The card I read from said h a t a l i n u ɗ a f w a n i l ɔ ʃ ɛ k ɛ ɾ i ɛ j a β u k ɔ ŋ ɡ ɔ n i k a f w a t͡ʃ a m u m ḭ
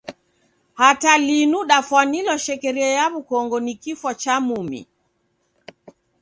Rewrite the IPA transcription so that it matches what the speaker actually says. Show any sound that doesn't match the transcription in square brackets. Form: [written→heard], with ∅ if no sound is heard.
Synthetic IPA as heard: h a t a l i n u ɗ a f w a n i l ɔ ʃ ɛ k ɛ ɾ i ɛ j a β u k ɔ ŋ ɡ ɔ n i k [a→i] f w a t͡ʃ a m u m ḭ